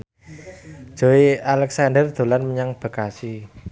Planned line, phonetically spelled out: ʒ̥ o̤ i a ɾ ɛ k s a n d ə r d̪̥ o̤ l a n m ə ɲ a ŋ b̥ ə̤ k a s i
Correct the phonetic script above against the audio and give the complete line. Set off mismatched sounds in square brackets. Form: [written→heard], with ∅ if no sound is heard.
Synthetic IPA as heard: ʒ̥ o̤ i a [ɾ→l] ɛ k s a n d ə r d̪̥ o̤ l a n m ə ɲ a ŋ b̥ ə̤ k a s i

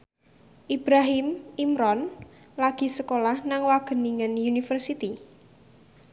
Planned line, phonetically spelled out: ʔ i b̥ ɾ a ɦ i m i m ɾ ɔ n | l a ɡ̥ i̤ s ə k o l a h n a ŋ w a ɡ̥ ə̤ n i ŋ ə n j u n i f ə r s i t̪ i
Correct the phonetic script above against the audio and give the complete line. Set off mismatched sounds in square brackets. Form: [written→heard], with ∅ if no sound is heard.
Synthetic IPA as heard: ʔ i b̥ ɾ a ɦ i m i m ɾ ɔ n | l a ɡ̥ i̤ s ə k o l a h n a ŋ w a ɡ̥ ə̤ n i ŋ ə n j u n i f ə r s i t̪ i

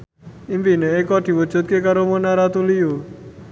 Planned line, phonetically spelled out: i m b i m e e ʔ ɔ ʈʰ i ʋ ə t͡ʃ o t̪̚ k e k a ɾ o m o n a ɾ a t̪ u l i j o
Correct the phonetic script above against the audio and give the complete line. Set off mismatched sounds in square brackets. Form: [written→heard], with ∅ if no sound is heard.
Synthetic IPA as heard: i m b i [m→n] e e [ʔ→k] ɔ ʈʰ i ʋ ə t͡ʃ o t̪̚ k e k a ɾ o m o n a ɾ a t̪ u l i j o

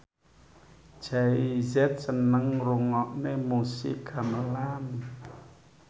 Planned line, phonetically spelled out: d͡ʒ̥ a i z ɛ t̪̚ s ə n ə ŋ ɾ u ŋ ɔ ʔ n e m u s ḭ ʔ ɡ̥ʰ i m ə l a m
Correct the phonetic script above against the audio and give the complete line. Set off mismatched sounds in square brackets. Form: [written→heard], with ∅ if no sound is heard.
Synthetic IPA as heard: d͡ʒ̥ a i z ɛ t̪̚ s ə n ə ŋ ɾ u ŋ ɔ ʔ n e m u s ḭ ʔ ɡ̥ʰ [i→a] m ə l a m

